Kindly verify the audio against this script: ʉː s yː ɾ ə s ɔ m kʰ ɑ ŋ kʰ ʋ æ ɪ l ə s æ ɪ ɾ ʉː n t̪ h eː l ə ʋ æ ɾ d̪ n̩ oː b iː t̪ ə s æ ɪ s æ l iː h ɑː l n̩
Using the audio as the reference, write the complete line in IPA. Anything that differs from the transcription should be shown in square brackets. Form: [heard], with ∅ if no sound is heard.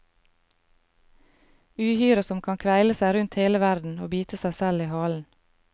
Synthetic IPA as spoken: ʉː [h] yː ɾ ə s ɔ m kʰ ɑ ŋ kʰ ʋ æ ɪ l ə s æ ɪ ɾ [ʉ] n t̪ h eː l ə ʋ æ ɾ d̪ n̩ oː b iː t̪ ə s æ ɪ s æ l iː h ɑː l n̩